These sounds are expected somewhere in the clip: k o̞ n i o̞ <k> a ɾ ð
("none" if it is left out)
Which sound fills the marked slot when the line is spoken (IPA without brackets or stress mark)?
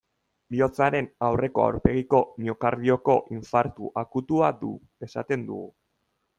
k